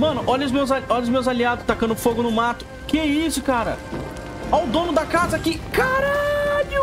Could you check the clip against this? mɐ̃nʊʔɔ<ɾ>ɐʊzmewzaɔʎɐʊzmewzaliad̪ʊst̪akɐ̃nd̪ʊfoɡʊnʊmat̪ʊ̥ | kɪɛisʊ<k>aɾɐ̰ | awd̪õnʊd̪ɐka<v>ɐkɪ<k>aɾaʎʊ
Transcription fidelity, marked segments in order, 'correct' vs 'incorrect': incorrect: ʎ, correct, incorrect: z, correct

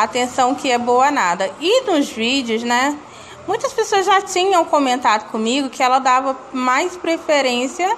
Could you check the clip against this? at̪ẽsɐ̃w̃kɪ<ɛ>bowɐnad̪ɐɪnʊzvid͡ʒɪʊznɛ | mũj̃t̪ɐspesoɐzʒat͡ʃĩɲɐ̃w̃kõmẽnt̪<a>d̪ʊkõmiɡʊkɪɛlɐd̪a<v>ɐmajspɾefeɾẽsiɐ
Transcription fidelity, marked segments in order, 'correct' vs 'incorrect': correct, correct, correct

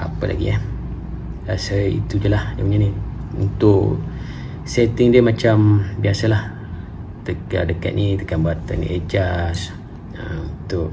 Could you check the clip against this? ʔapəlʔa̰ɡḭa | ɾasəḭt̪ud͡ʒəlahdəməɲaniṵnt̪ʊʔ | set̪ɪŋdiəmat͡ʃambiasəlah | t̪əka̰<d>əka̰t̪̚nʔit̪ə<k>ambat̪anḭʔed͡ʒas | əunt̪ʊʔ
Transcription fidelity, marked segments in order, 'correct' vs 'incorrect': correct, correct

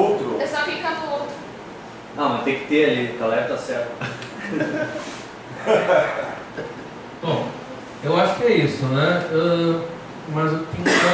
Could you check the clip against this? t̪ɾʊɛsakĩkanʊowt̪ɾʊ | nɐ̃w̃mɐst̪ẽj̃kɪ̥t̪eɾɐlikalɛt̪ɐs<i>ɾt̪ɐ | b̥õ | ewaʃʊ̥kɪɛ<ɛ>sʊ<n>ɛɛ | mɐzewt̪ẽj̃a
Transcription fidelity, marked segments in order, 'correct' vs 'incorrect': incorrect: ɛ, incorrect: i, correct

